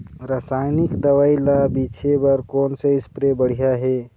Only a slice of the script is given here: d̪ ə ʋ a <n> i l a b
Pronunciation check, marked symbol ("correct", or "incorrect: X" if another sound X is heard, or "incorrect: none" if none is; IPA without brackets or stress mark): incorrect: none